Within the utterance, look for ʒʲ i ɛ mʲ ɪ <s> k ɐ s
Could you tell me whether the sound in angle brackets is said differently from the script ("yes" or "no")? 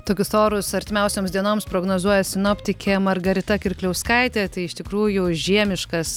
yes